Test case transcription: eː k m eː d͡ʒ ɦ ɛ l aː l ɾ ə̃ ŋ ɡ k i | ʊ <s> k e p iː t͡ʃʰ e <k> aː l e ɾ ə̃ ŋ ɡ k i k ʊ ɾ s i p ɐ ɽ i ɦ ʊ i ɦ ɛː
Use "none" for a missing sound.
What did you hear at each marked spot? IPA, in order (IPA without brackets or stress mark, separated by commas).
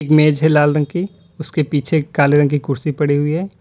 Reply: s, k